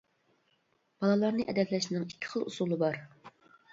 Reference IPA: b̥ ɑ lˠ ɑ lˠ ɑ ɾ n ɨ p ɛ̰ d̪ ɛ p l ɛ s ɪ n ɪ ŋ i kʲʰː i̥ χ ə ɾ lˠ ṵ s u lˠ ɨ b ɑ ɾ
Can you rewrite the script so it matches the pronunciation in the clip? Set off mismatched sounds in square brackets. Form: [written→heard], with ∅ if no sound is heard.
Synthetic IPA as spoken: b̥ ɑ lˠ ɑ lˠ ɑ ɾ n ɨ [p→ʔ] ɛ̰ d̪ ɛ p l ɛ [s→ʃ] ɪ n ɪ ŋ i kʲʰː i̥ χ ə [ɾ→∅] lˠ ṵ s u lˠ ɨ b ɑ ɾ